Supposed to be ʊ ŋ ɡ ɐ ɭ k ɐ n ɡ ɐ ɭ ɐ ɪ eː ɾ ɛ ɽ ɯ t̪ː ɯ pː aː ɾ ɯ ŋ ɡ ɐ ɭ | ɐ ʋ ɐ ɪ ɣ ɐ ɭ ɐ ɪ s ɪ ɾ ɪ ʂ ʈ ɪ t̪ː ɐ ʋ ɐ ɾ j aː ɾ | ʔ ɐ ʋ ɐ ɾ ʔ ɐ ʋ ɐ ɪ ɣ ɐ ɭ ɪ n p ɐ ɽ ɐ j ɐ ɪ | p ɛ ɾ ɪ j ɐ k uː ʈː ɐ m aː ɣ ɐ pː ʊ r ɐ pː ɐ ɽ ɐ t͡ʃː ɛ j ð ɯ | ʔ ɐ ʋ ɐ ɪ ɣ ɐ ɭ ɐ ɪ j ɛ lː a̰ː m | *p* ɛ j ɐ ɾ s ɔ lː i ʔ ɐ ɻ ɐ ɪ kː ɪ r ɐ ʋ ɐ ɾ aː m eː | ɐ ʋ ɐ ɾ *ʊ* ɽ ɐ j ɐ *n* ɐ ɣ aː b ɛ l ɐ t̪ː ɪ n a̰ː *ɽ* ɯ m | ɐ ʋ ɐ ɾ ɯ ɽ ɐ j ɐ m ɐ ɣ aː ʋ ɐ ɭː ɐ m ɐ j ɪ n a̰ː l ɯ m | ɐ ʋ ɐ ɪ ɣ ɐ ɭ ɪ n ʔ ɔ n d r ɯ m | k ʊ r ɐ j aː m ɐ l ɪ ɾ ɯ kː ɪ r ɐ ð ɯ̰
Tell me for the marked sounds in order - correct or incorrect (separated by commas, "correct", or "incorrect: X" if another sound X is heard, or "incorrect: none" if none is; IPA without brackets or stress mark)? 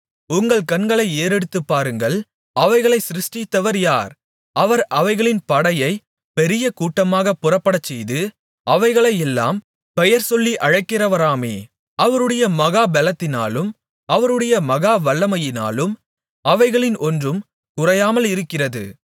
correct, incorrect: ɯ, incorrect: m, incorrect: l